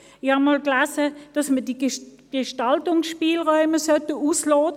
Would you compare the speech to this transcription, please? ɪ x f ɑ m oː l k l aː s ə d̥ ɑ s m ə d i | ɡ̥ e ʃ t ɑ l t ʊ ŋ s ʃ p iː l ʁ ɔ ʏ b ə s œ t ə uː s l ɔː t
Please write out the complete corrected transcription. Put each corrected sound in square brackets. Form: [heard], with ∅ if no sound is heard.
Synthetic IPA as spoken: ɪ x [h] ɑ m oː l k l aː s ə d̥ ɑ s m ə d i | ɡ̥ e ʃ t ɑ l t ʊ ŋ s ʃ p iː l ʁ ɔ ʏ [m] ə s œ t ə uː s l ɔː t